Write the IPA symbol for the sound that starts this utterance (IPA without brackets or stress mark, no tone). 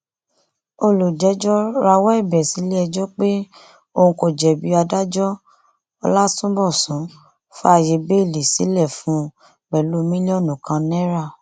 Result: o